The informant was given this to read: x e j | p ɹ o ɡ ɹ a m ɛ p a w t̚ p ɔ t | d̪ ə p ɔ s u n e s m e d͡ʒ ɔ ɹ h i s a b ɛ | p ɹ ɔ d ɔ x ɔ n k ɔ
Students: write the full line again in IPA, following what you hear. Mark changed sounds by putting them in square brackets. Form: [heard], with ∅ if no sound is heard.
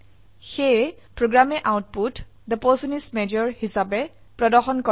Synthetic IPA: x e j | p ɹ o ɡ ɹ a m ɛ [ʔ] a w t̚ p [u] t | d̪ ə p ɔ s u n [i] s m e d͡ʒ ɔ ɹ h i s a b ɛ | p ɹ ɔ d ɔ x ɔ n k ɔ